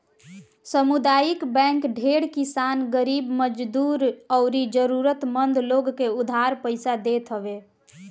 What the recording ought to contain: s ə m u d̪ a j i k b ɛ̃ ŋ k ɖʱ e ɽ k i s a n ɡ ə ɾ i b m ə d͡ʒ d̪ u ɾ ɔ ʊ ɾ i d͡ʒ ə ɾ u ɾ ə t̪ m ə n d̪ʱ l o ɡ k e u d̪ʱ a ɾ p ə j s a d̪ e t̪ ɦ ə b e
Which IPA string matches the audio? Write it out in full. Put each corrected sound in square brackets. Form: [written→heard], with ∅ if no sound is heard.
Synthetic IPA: s ə m u d̪ a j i k b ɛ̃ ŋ k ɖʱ e ɽ k i s a n ɡ ə ɾ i b m ə d͡ʒ d̪ u ɾ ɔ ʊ ɾ i d͡ʒ ə ɾ u ɾ ə t̪ m ə n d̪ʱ l o ɡ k e u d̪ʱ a ɾ p ə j s a d̪ e t̪ ɦ ə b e